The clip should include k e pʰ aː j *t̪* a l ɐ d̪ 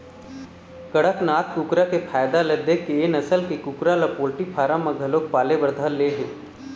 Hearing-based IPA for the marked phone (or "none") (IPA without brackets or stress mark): d̪